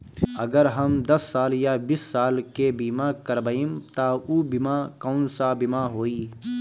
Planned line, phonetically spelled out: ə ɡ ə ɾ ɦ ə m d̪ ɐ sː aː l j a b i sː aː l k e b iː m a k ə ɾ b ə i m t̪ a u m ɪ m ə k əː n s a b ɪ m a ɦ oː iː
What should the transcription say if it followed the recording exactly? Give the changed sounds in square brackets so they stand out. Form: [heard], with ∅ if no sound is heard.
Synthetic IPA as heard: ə ɡ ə ɾ ɦ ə m d̪ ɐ sː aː l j a b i sː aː l k e b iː m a k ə ɾ b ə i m t̪ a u [b] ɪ m [a] k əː n s a b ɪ m a ɦ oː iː